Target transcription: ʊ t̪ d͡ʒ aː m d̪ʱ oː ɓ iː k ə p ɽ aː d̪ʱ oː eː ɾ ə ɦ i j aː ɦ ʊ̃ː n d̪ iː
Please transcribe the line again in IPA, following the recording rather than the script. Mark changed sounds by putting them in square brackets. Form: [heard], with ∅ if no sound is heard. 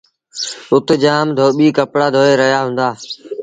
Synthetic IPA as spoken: ʊ t̪ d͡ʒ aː m d̪ʱ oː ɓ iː k ə p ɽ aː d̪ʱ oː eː ɾ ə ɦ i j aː ɦ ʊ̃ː n d̪ [aː]

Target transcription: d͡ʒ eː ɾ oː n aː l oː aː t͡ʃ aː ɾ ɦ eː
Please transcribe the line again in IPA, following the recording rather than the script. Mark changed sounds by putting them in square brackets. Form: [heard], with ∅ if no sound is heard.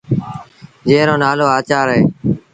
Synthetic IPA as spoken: d͡ʒ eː ɾ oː n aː l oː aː t͡ʃ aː ɾ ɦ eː

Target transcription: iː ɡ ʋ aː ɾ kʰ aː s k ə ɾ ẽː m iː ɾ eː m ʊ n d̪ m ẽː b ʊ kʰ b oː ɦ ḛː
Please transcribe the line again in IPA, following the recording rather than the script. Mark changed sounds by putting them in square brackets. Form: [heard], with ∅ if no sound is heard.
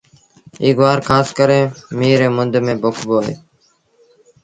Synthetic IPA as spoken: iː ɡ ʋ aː ɾ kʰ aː s k ə ɾ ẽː m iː ɾ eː m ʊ n d̪ m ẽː b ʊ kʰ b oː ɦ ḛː

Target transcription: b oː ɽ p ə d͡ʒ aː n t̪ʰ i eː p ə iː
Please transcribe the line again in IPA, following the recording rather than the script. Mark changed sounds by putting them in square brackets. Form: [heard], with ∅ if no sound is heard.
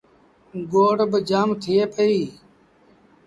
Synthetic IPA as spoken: [ɡ] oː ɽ [b] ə d͡ʒ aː [m] t̪ʰ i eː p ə iː

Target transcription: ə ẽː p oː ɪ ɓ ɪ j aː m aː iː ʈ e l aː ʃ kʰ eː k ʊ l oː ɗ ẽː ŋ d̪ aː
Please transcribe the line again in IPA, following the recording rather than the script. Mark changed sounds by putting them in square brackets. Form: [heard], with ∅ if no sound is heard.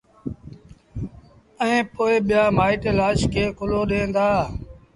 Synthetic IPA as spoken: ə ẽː p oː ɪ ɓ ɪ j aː m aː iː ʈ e l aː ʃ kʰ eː k ʊ l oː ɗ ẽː [n] d̪ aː

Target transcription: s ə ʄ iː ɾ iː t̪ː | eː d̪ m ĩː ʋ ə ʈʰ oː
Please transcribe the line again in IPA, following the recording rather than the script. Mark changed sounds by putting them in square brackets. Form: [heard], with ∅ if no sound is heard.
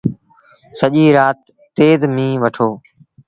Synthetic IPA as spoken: s ə ʄ iː ɾ [aː] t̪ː | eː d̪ m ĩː ʋ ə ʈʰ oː

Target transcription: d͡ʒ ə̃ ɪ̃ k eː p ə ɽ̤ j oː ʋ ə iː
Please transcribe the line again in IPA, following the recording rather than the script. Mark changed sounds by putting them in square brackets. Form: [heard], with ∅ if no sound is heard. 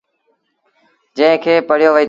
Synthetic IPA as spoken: d͡ʒ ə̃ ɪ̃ [kʰ] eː p ə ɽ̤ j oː ʋ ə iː

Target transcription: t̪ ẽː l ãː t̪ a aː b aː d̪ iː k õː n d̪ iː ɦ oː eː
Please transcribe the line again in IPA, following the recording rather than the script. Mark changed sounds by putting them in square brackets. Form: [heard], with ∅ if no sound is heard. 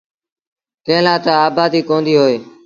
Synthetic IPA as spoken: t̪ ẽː l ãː t̪ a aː b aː d̪ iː k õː n d̪ iː ɦ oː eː

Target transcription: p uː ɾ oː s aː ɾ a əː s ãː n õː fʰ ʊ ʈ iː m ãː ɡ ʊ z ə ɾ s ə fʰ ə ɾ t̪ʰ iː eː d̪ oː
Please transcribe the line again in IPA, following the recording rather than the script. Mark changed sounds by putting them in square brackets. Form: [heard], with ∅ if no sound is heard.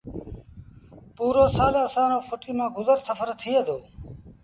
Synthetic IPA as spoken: p uː ɾ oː s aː [l] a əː s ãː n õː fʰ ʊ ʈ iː m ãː ɡ ʊ z ə ɾ s ə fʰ ə ɾ t̪ʰ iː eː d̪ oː

